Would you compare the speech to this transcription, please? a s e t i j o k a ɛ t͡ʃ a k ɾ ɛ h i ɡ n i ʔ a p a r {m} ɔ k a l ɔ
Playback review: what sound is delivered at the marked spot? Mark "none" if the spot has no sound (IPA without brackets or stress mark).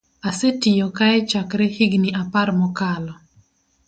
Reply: m